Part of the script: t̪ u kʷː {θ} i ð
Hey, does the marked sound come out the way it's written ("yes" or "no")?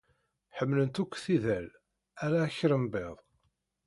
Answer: yes